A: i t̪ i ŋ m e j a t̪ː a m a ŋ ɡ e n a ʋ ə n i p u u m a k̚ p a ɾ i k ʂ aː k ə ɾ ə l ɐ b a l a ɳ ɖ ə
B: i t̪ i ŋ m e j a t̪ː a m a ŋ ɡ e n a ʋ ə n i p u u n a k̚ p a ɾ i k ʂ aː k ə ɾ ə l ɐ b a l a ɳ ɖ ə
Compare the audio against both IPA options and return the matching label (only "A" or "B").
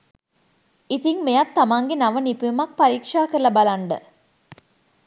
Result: A